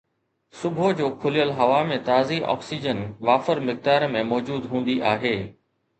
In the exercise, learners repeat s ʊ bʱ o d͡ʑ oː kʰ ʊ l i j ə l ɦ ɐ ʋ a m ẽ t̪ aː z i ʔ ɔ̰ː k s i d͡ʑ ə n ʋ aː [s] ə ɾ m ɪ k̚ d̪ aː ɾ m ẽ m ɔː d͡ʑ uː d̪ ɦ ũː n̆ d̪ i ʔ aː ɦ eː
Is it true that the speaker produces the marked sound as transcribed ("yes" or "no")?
no